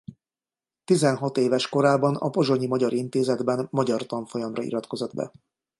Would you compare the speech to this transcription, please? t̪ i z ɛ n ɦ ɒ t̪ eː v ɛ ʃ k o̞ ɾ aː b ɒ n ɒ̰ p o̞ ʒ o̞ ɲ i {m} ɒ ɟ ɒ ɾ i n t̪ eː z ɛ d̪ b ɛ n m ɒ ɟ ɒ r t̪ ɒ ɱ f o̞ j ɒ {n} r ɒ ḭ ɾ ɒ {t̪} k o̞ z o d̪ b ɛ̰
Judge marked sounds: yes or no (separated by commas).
yes, no, yes